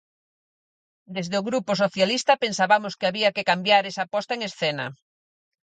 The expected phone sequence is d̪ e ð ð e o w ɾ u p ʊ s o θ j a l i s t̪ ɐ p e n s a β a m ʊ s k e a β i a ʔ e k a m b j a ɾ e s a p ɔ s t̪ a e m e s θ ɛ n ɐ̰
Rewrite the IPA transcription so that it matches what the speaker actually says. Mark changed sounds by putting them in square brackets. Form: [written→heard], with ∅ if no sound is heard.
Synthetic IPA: d̪ e [ð→z] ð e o [w→ɣ] ɾ u p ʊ s o θ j a l i s t̪ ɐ p e n s a β a m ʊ s k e a β i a [ʔ→k] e k a m b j a ɾ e s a p ɔ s t̪ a e [m→ŋ] e s θ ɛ n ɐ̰